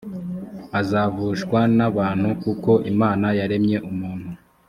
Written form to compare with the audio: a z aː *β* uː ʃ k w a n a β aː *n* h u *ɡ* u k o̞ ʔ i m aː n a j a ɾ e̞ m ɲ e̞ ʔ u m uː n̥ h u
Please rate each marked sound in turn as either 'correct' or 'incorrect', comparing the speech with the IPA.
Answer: incorrect, correct, incorrect

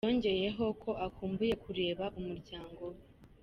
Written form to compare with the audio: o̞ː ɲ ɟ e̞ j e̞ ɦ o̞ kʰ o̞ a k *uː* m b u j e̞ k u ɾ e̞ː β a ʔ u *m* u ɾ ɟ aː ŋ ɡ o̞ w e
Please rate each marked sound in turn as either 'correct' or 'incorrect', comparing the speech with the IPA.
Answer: correct, correct

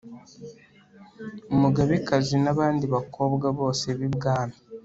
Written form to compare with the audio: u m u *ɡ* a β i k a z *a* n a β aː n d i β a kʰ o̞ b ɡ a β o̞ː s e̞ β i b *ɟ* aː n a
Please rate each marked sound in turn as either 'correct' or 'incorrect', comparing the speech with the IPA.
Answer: correct, incorrect, incorrect

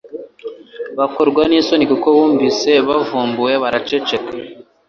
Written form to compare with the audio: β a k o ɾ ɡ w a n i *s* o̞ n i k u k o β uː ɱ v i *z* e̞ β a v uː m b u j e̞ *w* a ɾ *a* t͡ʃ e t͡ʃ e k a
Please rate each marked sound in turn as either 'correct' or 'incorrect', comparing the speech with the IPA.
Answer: correct, incorrect, incorrect, correct

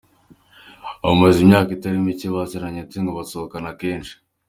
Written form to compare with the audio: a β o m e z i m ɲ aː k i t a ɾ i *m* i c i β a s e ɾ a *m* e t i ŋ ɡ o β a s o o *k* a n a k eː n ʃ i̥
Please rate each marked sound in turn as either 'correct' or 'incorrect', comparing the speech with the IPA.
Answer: correct, incorrect, correct

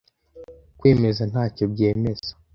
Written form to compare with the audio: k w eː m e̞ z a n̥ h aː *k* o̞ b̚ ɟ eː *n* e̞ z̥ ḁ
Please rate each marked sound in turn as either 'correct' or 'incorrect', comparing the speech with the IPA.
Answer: incorrect, incorrect

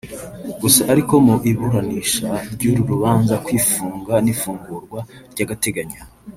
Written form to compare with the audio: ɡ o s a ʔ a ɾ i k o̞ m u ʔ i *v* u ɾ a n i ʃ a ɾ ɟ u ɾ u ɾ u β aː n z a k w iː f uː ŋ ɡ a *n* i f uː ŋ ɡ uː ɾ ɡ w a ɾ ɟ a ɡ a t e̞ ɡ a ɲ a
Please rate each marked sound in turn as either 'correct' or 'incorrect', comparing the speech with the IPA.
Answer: incorrect, correct

